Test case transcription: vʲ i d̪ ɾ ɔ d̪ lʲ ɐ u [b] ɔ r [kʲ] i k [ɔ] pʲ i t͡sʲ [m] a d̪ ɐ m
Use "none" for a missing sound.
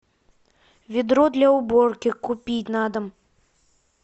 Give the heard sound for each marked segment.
b, kʲ, u, n

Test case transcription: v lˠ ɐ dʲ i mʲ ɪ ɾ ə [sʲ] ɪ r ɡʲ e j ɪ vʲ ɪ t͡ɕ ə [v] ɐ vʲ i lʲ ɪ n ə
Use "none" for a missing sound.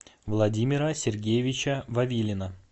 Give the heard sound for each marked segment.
sʲ, v

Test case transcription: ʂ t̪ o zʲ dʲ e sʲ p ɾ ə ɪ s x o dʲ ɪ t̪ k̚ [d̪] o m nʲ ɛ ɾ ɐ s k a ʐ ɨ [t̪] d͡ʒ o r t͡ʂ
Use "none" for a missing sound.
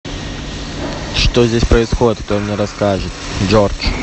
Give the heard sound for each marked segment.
t̪, t̪

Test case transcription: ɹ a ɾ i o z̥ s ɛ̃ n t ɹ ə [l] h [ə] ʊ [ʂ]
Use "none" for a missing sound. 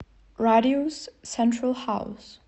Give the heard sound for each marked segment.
l, a, s

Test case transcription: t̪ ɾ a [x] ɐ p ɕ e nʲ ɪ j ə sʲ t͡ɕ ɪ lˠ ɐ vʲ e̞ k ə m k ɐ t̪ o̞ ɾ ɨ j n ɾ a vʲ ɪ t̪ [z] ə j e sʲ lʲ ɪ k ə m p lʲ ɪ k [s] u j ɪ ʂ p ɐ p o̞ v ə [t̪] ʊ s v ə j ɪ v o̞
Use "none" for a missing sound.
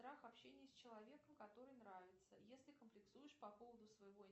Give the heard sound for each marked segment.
x, s, s, d̪

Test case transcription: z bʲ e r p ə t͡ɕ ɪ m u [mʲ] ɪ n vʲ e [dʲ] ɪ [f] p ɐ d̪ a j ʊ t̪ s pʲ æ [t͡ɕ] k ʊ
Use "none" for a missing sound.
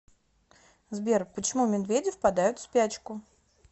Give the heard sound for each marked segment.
mʲ, dʲ, f, t͡ɕ

